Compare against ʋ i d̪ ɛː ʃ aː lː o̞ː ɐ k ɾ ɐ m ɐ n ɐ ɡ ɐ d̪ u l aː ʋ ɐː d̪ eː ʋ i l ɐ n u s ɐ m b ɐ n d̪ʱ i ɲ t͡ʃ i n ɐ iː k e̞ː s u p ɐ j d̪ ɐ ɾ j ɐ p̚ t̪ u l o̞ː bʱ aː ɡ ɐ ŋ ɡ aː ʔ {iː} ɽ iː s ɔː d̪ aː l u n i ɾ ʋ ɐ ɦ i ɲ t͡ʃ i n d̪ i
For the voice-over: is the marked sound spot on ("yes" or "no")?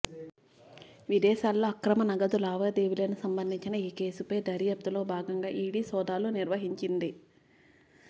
yes